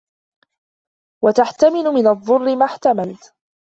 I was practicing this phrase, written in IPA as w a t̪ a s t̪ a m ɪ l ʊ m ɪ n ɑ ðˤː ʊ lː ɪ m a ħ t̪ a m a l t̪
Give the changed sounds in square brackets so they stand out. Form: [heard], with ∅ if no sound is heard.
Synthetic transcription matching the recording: w a t̪ a [ħ] t̪ a m ɪ l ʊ m ɪ n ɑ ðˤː ʊ [rː] ɪ m a ħ t̪ a m a l t̪

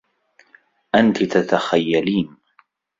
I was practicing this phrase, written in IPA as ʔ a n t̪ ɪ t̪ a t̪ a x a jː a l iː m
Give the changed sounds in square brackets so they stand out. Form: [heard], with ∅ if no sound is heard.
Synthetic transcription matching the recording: ʔ a n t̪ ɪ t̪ a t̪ a x a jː a l iː [n]

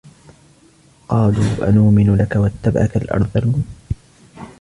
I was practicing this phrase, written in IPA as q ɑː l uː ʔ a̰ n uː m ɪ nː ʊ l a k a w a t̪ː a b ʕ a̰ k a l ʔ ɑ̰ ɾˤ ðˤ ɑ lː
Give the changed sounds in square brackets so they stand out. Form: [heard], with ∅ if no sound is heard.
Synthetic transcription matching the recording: q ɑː l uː ʔ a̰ n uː m ɪ [n] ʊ l a k a w a t̪ː a b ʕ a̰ k a l ʔ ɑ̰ ɾˤ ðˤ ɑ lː

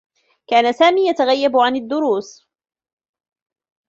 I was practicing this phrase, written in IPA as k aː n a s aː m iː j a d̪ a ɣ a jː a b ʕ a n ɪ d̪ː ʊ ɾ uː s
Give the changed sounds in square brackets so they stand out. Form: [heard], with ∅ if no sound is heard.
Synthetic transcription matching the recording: k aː n a s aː m iː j a [t̪] a ɣ a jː a b ʕ a n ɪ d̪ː ʊ ɾ uː s

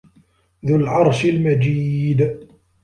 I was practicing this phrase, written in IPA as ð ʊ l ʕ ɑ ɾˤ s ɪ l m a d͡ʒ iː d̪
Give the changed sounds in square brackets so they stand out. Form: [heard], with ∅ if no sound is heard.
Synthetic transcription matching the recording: ð ʊ l ʕ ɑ ɾˤ [ʃ] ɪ l m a d͡ʒ iː d̪

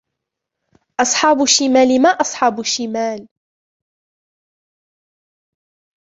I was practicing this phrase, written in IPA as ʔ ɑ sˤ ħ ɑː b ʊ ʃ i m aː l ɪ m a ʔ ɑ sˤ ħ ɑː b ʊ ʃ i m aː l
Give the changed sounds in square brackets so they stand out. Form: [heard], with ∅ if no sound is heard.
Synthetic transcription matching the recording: ʔ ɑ sˤ ħ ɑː b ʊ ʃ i m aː l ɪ m a ʔ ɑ sˤ ħ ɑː b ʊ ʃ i m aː l

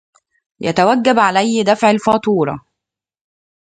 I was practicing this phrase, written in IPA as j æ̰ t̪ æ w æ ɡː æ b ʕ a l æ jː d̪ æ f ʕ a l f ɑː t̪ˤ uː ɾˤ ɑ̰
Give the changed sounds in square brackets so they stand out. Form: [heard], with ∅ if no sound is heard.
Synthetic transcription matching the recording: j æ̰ t̪ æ w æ ɡː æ b ʕ a l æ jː d̪ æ f ʕ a l f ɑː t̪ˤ uː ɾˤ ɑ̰

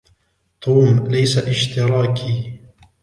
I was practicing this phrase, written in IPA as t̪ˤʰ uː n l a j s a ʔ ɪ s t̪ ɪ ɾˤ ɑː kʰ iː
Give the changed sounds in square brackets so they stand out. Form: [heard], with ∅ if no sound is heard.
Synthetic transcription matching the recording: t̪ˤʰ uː [m] l a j s a ʔ ɪ [ʃ] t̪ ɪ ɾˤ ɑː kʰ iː

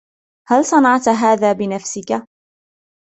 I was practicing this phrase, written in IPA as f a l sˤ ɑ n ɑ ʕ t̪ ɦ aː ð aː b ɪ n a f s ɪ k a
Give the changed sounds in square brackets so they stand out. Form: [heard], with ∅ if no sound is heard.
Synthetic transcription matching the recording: [h] a l sˤ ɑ n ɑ ʕ t̪ ɦ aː ð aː b ɪ n a f s ɪ k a

